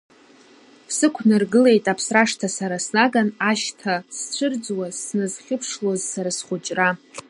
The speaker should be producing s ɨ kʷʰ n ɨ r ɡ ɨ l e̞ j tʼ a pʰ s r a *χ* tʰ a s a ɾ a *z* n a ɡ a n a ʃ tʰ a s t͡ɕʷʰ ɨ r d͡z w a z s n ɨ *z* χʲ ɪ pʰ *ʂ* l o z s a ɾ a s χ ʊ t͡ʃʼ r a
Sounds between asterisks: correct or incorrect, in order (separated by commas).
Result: incorrect, incorrect, correct, correct